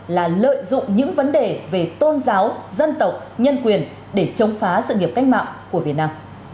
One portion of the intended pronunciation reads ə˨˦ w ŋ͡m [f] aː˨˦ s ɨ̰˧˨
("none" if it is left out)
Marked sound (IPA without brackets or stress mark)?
f